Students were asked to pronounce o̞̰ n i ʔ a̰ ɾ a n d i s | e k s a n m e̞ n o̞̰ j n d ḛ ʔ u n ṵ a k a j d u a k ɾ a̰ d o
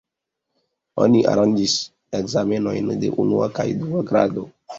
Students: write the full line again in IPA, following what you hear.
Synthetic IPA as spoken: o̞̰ n i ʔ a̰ ɾ a n d͡ʒ i s | e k z a m e̞ n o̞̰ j n d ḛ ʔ u n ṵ a k a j d u a ɡ ɾ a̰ d o